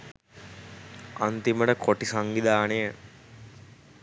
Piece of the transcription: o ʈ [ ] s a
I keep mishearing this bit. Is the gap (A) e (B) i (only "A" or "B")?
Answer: B